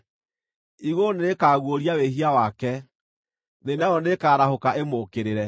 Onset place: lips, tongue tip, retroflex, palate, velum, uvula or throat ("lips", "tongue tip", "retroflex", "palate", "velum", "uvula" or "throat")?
velum